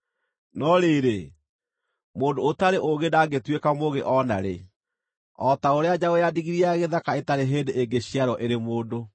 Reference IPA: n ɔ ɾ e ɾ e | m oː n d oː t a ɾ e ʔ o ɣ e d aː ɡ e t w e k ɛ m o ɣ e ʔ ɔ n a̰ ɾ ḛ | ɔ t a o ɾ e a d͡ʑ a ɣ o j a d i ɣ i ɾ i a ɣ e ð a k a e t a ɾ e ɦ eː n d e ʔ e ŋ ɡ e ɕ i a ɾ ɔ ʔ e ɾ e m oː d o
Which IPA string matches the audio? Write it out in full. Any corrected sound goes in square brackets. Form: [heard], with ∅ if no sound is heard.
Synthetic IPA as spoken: n ɔ ɾ e ɾ e | m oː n d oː t a ɾ e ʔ o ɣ e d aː ɡ e t w e k [a] m o ɣ e ʔ ɔ n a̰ ɾ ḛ | ɔ t a o ɾ e a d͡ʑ a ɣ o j a d i ɣ i ɾ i a ɣ e ð a k a e t a ɾ e ɦ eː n d e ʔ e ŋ ɡ e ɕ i a ɾ ɔ ʔ e ɾ e m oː d o